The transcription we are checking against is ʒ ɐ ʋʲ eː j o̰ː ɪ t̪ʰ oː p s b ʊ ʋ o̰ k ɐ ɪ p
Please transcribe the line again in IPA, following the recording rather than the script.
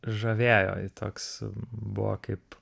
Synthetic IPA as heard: ʒ ɐ ʋʲ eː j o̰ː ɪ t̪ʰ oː k s b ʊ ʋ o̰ k ɐ ɪ p